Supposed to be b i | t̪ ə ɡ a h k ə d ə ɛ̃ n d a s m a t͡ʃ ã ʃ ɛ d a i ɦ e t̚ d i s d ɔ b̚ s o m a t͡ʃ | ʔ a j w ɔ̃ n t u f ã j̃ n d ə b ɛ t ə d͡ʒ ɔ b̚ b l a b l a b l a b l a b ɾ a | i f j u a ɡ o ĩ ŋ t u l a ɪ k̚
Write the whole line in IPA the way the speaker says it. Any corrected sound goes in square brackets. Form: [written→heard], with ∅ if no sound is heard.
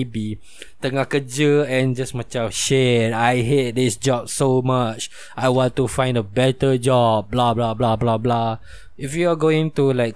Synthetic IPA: b i | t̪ ə [ɡ→ŋ] a h k ə [d→d͡ʒ] ə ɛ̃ n [d→d͡ʒ] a s m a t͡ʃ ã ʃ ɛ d a [i→j] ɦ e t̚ d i s [d→d͡ʒ] ɔ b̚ s o m a t͡ʃ | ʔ a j w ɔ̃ n t u f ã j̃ n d ə b ɛ t ə d͡ʒ ɔ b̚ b l a b l a b l a b l a b [ɾ→l] a | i f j u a ɡ o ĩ ŋ t u l a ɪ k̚